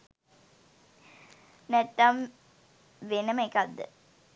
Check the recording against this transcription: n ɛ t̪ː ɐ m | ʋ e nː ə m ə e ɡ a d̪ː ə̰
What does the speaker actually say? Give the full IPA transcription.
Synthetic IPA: n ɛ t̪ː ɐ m | ʋ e n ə m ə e k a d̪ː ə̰